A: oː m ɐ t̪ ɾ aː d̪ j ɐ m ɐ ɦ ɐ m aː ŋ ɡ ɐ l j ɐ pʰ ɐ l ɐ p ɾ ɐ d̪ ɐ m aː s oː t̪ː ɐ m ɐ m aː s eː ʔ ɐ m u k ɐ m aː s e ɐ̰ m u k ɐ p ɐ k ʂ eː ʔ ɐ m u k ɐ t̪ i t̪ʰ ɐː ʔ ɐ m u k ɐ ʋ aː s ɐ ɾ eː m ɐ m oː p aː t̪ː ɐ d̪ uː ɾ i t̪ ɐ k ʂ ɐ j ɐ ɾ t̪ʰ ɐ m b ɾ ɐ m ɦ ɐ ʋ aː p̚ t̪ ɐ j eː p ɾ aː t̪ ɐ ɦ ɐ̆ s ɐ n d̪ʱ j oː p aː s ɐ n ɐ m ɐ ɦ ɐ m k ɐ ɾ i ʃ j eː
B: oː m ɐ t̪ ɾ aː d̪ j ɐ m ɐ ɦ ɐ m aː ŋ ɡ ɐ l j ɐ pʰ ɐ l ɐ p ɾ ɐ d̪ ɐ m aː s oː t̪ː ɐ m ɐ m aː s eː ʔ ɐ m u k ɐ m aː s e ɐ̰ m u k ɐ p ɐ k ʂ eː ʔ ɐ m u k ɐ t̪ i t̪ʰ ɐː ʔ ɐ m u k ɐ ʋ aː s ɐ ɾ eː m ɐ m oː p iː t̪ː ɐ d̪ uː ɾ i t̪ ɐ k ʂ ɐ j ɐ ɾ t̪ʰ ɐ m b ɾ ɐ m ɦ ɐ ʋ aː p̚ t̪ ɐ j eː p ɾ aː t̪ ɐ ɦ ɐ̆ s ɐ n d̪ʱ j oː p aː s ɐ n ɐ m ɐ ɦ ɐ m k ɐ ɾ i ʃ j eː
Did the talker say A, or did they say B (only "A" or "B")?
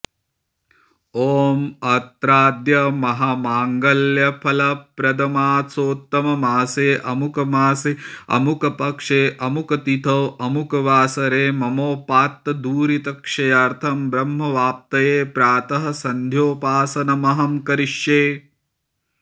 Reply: A